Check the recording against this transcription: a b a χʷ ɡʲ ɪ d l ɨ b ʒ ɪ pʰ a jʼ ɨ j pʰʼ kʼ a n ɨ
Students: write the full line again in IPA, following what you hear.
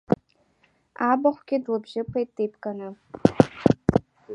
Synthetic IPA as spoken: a b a χʷ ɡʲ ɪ d l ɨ b ʒ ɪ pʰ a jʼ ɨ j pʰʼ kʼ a n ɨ